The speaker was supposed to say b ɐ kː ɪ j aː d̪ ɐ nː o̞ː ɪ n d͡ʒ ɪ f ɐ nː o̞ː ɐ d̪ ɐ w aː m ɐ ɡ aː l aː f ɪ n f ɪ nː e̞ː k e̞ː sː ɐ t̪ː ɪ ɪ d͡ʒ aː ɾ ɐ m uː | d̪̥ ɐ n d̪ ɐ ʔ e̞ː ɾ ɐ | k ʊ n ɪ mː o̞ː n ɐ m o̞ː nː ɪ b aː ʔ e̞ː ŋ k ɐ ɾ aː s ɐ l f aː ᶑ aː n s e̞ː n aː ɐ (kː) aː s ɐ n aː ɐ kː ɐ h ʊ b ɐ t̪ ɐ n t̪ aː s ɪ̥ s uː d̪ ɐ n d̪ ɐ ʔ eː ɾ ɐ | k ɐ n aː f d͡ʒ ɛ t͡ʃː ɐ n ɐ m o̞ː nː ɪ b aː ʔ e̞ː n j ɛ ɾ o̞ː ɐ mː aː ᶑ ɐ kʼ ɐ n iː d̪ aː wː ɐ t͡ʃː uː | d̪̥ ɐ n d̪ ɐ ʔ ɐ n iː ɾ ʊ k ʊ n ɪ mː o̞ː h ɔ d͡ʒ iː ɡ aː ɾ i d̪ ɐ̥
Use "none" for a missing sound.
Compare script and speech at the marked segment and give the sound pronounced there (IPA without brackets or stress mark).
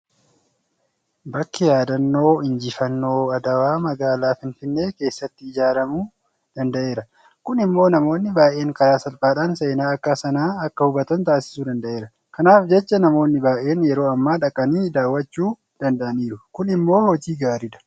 kː